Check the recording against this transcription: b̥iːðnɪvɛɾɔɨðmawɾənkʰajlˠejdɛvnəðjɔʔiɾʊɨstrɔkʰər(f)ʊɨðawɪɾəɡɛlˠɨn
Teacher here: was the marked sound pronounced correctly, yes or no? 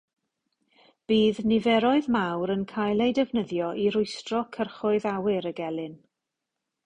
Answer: no